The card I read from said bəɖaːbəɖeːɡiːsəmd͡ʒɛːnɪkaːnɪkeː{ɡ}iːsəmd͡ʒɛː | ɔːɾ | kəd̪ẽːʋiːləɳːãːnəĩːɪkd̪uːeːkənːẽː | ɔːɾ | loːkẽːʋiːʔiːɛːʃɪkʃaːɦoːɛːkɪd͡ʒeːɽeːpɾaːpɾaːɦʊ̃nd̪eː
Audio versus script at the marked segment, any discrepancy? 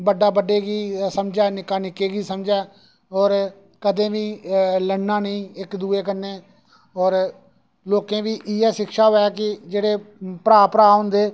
no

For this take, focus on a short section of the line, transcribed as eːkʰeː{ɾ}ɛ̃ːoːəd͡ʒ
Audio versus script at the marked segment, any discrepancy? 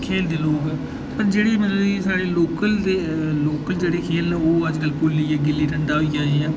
yes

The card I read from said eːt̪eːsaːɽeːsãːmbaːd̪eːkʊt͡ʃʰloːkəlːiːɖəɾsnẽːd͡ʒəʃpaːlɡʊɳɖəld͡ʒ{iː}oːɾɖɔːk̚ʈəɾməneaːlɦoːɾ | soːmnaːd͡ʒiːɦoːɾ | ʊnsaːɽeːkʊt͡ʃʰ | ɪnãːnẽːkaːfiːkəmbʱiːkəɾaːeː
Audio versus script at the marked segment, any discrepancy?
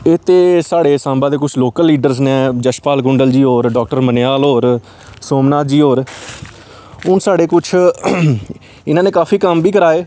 no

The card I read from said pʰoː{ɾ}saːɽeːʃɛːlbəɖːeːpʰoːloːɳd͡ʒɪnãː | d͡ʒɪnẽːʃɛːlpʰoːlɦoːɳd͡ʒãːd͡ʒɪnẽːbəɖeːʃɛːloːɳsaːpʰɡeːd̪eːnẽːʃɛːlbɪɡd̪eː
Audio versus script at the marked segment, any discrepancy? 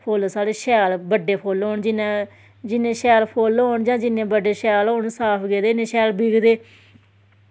yes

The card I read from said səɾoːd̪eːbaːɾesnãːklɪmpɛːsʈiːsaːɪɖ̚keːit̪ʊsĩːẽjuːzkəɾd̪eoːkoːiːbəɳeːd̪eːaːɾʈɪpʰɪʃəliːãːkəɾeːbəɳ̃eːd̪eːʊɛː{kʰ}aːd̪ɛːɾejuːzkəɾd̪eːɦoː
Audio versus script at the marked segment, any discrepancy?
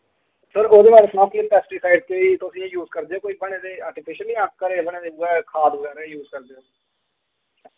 no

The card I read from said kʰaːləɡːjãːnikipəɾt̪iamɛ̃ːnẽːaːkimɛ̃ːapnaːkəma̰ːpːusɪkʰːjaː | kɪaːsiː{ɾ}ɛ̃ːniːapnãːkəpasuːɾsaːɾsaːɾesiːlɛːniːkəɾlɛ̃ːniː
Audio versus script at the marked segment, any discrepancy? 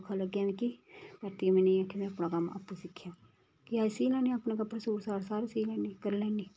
yes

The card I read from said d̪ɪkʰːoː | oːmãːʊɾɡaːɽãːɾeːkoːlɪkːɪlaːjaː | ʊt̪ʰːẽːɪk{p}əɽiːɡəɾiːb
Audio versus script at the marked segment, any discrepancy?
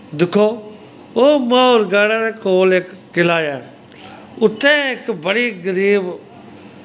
yes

